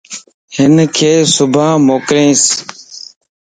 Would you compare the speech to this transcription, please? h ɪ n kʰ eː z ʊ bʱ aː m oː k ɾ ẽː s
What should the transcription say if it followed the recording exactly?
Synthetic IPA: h ɪ n kʰ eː s ʊ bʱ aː m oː k ɾ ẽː s